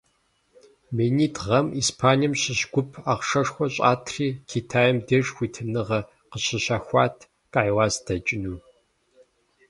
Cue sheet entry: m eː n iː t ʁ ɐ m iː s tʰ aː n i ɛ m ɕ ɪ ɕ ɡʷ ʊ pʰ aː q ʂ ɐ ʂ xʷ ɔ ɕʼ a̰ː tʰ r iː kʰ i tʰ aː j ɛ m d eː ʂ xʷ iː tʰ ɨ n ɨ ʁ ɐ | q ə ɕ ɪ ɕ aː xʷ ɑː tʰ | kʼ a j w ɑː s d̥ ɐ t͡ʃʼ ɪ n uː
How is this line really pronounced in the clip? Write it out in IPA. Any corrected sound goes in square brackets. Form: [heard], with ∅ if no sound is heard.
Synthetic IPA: m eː n iː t ʁ ɐ m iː s [pʰ] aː n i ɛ m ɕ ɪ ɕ ɡʷ ʊ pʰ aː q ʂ ɐ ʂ xʷ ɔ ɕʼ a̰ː tʰ r iː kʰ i tʰ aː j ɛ m d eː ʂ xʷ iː tʰ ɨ n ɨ ʁ ɐ | q ə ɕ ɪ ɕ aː xʷ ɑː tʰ | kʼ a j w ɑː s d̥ ɐ t͡ʃʼ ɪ n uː